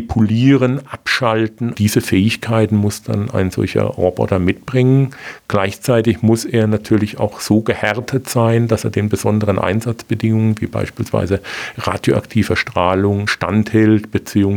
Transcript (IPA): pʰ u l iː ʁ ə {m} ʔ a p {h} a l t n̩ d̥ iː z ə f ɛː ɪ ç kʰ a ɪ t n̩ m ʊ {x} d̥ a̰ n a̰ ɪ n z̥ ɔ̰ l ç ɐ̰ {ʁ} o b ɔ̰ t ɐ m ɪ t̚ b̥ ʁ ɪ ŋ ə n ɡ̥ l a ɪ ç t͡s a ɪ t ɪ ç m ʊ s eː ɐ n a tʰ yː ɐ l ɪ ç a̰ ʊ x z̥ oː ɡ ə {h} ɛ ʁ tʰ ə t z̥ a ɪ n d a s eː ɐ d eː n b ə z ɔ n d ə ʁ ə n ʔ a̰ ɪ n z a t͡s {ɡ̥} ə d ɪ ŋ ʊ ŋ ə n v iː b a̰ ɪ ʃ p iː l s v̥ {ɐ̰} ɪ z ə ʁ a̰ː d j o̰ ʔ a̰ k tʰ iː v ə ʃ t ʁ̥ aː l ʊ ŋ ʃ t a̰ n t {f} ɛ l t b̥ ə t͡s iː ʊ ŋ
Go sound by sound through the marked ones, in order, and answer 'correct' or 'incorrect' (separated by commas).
incorrect, incorrect, incorrect, correct, correct, incorrect, incorrect, incorrect